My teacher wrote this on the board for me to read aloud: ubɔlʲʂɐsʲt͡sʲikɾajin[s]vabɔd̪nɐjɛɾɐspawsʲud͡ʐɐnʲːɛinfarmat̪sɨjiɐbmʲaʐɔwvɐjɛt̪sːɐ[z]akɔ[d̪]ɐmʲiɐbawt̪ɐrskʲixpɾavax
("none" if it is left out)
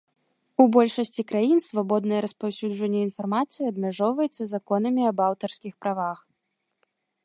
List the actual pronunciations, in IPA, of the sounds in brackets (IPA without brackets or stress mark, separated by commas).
s, z, n̪